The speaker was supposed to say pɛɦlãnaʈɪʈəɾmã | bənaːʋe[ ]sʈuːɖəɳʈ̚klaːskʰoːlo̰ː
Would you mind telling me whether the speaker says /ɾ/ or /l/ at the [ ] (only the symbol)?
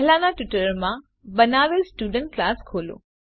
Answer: l